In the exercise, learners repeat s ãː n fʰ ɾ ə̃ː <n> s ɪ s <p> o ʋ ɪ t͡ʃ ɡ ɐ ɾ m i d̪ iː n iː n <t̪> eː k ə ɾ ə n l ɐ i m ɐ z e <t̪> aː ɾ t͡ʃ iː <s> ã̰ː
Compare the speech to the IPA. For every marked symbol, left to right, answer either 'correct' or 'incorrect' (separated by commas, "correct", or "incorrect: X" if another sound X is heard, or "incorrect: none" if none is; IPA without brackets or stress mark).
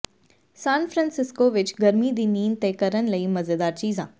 correct, incorrect: k, correct, incorrect: d̪, incorrect: z